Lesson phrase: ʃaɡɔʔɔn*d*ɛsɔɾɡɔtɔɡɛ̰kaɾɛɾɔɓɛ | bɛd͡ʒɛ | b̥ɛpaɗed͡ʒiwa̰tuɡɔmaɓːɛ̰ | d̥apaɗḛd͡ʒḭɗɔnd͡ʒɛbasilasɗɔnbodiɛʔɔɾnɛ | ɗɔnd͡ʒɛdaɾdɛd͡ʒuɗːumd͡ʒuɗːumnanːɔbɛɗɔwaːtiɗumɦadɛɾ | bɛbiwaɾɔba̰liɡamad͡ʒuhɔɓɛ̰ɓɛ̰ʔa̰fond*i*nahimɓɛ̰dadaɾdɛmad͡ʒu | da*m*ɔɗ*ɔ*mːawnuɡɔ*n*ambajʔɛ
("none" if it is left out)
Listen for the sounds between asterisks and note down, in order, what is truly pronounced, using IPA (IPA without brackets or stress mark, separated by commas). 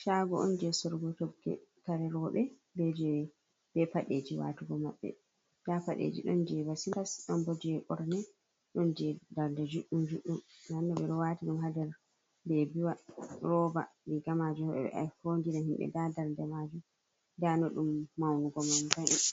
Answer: d͡ʒ, i, n, u, m